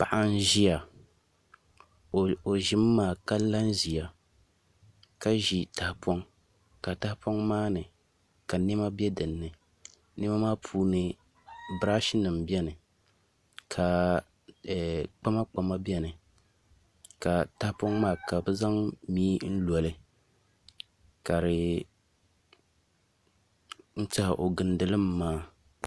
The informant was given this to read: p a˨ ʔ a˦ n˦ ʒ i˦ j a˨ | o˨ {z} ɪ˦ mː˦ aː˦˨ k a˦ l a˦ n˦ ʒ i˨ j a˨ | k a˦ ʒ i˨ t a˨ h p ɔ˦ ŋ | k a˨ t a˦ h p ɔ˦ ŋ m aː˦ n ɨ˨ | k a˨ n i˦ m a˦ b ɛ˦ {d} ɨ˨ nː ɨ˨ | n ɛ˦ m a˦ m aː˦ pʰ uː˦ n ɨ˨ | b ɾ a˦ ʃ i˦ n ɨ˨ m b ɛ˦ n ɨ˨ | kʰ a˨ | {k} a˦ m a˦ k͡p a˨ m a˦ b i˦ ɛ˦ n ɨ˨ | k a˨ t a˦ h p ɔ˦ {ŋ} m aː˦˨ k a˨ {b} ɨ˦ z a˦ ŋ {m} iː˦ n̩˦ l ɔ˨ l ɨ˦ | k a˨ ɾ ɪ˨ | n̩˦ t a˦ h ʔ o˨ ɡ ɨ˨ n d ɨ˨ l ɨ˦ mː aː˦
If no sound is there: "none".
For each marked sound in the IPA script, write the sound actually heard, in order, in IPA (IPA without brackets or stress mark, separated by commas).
ʒ, d, k͡p, ŋ, b, m